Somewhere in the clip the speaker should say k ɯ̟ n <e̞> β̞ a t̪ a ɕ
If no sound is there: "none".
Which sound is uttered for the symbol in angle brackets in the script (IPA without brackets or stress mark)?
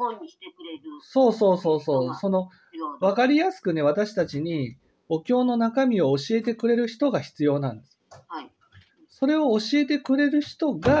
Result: e̞